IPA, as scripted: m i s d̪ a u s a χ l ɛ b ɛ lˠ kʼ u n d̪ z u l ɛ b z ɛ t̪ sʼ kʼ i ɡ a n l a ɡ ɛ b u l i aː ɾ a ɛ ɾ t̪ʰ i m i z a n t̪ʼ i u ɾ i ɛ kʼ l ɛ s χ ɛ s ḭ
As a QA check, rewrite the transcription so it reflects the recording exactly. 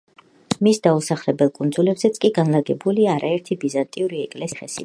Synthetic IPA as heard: m i s d̪ a u s a χ l ɛ b ɛ lˠ kʼ u n d̪ z u l ɛ b z ɛ t̪ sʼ kʼ i ɡ a n l a ɡ ɛ b u l i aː ɾ a ɛ ɾ t̪ʰ i b i z a n t̪ʼ i u ɾ i ɛ kʼ l ɛ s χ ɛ s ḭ

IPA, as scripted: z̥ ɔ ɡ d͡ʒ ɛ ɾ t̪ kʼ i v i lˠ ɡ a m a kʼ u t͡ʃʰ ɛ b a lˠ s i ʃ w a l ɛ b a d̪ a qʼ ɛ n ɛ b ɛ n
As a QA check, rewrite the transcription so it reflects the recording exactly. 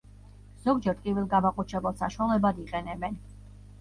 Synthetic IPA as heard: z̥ ɔ ɡ d͡ʒ ɛ ɾ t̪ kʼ i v i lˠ ɡ a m a qʼ u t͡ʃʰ ɛ b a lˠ s a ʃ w a l ɛ b a d̪ i qʼ ɛ n ɛ b ɛ n

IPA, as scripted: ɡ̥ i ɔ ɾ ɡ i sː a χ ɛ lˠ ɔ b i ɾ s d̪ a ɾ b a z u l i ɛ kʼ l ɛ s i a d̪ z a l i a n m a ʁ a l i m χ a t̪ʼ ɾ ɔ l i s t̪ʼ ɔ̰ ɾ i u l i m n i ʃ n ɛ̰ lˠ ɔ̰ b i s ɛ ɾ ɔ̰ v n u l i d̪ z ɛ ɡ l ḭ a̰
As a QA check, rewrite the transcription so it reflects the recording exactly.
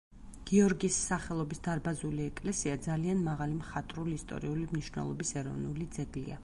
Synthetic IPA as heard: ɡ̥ i ɔ ɾ ɡ i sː a χ ɛ lˠ ɔ b i s d̪ a ɾ b a z u l i ɛ kʼ l ɛ s i a d̪ z a l i a n m a ʁ a l i m χ a t̪ʼ ɾ u l i s t̪ʼ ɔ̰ ɾ i u l i m n i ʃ n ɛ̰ lˠ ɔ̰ b i s ɛ ɾ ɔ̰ v n u l i d̪ z ɛ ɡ l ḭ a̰

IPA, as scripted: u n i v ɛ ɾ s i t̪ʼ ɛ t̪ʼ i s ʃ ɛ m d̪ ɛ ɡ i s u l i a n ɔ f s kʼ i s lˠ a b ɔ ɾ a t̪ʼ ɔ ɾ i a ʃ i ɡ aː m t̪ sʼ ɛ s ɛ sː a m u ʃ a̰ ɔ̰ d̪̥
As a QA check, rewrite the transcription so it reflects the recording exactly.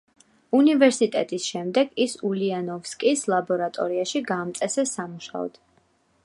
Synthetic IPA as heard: u n i v ɛ ɾ s i t̪ʼ ɛ t̪ʼ i s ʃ ɛ m d̪ ɛ ɡ i s u l i a n ɔ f s kʼ i s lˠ a b ɔ ɾ a t̪ʼ ɔ ɾ i a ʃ i ɡ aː m t̪ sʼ ɛ s ɛ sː a m u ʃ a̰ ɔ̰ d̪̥

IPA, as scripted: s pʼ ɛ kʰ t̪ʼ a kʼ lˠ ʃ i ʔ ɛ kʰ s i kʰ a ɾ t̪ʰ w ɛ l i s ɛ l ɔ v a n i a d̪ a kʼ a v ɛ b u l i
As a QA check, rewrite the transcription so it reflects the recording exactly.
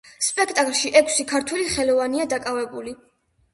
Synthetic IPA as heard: s pʼ ɛ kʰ t̪ʼ a kʼ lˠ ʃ i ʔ ɛ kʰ s i kʰ a ɾ t̪ʰ w ɛ l i χ ɛ l ɔ v a n i a d̪ a kʼ a v ɛ b u l i

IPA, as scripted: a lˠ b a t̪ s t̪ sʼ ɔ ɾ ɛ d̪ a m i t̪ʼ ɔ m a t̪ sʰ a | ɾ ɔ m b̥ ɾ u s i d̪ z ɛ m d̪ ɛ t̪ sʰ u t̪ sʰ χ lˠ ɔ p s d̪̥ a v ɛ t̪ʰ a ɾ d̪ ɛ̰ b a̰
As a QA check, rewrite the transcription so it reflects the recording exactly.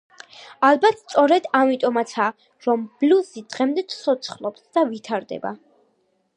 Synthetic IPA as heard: a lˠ b a t̪ s t̪ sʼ ɔ ɾ ɛ d̪ a m i t̪ʼ ɔ m a t̪ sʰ a | ɾ ɔ m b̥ l u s i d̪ ʁ ɛ m d̪ ɛ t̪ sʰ ɔ t̪ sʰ χ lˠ ɔ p s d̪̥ a v i t̪ʰ a ɾ d̪ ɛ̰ b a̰

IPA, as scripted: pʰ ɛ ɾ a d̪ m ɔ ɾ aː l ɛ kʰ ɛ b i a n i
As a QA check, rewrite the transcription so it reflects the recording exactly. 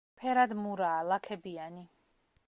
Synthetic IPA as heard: pʰ ɛ ɾ a d̪ m u ɾ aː l a kʰ ɛ b i a n i

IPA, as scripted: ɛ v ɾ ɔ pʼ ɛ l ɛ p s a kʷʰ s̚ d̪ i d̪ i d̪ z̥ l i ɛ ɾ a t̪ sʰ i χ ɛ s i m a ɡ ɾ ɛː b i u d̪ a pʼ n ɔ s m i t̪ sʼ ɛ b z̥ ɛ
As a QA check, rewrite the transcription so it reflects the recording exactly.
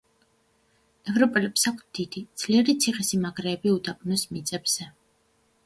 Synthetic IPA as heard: ɛ v ɾ ɔ pʼ ɛ l ɛ p s a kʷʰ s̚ d̪ i d̪ i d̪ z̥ l i ɛ ɾ i t̪ sʰ i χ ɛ s i m a ɡ ɾ ɛː b i u d̪ a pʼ n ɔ s m i t̪ sʼ ɛ b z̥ ɛ

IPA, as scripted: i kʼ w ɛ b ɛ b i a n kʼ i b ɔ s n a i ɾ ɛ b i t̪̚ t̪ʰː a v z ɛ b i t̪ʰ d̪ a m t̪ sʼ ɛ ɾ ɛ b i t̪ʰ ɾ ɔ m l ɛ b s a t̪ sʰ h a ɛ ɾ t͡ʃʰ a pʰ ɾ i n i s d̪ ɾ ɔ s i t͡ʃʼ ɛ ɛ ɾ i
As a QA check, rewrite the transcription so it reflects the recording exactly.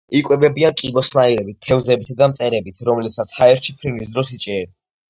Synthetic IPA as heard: i kʼ w ɛ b ɛ b i a n kʼ i b ɔ s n a i ɾ ɛ b i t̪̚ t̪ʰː ɛ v z ɛ b i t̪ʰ d̪ a m t̪ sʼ ɛ ɾ ɛ b i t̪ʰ ɾ ɔ m l ɛ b s a t̪ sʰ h a ɛ ɾ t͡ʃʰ i pʰ ɾ i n i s d̪ ɾ ɔ s i t͡ʃʼ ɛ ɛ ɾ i

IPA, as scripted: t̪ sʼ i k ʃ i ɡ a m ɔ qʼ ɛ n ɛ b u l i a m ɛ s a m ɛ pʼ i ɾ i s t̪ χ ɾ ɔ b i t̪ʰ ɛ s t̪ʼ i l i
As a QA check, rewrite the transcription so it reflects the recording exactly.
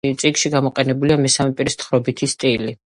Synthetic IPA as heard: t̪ sʼ i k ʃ i ɡ a m ɔ qʼ ɛ n ɛ b u l i a m ɛ s a m ɛ pʼ i ɾ i s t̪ χ ɾ ɔ b i t̪ʰ i s t̪ʼ i l i

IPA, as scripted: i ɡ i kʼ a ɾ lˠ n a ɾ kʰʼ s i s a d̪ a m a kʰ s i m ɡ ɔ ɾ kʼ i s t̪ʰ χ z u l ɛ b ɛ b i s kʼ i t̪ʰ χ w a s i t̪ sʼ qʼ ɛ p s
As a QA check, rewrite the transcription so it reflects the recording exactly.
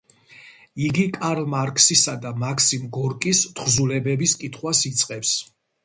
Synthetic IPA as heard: i ɡ i kʼ a ɾ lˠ m a ɾ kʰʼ s i s a d̪ a m a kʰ s i m ɡ ɔ ɾ kʼ i s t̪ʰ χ z u l ɛ b ɛ b i s kʼ i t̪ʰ χ w a s i t̪ sʼ qʼ ɛ p s

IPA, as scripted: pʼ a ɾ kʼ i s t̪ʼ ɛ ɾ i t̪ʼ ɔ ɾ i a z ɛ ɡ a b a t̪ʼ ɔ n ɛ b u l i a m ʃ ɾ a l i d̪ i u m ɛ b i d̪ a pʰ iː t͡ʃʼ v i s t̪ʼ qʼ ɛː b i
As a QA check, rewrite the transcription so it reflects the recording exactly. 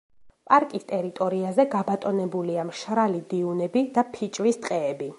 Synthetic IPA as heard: pʼ a ɾ kʼ i s t̪ʼ ɛ ɾ i t̪ʼ ɔ ɾ i a z ɛ ɡ a b a t̪ʼ ɔ n ɛ b u l i a m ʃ ɾ a l i d̪ i u n ɛ b i d̪ a pʰ i t͡ʃʼ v i s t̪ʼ qʼ ɛː b i

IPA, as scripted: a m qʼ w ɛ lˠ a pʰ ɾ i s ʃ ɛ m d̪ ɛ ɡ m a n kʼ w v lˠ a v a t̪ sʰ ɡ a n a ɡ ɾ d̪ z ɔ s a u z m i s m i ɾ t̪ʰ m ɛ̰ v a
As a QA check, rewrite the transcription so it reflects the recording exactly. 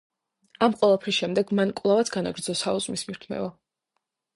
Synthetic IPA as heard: a m qʼ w ɛ lˠ a pʰ ɾ i s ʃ ɛ m d̪ ɛ ɡ m a n kʼ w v lˠ a v a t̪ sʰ ɡ a n a ɡ ɾ d̪ z ɔ s a u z m i s m i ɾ t̪ʰ m ɛ̰ v a

